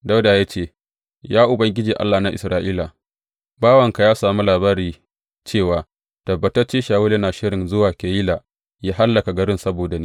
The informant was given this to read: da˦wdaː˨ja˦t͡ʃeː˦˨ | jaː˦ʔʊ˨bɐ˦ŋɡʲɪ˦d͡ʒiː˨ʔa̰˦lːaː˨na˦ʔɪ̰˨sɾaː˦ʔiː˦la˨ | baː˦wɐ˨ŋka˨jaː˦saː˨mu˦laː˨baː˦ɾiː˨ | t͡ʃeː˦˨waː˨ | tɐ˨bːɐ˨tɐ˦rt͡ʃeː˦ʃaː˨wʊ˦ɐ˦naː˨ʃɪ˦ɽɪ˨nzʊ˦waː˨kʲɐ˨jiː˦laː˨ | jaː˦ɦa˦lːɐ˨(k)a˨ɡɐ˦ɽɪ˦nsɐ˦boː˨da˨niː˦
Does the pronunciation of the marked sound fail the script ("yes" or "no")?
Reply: no